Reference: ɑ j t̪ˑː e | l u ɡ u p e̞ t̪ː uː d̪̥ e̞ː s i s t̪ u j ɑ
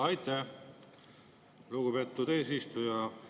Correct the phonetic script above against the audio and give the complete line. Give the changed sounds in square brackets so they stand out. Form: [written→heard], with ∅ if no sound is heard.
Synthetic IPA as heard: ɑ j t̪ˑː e | l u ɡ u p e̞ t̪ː [uː→u] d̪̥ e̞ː s i s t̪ u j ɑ